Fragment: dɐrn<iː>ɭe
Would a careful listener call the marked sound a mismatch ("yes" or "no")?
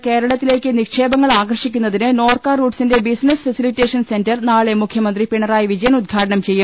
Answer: yes